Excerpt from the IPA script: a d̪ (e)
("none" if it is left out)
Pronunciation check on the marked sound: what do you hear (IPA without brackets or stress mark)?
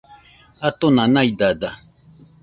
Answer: a